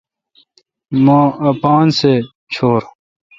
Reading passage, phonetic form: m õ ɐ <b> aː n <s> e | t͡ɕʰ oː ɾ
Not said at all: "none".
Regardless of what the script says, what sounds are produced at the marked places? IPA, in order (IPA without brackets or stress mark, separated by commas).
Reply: p, s